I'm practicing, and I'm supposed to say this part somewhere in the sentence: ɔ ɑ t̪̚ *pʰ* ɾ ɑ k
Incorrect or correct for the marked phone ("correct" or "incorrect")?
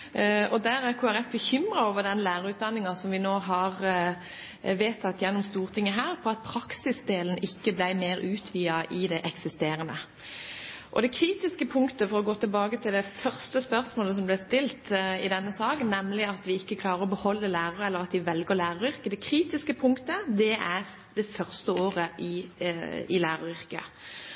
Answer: correct